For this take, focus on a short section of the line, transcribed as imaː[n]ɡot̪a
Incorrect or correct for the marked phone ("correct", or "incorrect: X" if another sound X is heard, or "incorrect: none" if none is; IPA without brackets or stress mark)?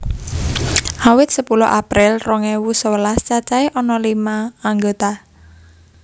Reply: incorrect: ŋ